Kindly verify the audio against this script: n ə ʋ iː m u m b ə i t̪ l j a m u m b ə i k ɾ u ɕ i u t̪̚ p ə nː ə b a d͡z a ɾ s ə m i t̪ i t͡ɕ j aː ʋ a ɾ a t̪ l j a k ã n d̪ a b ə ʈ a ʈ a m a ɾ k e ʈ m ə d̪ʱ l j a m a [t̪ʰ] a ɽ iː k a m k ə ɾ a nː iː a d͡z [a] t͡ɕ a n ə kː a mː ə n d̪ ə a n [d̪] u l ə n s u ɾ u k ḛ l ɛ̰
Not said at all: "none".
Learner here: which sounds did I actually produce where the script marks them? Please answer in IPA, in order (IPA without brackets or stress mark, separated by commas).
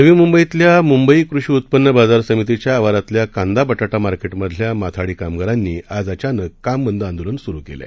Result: t̪ʰ, a, d̪